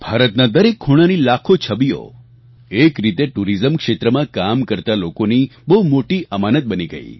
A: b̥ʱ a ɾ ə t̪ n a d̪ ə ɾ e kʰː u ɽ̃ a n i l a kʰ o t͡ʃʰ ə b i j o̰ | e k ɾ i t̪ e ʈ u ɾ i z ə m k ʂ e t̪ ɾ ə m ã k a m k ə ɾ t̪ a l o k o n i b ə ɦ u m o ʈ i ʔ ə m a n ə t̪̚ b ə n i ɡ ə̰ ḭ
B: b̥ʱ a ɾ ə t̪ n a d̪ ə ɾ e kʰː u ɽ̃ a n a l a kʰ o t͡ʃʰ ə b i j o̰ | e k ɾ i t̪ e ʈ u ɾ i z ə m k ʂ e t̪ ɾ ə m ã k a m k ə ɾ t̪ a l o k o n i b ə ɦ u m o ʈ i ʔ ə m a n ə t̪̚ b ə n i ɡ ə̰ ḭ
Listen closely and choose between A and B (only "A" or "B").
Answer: A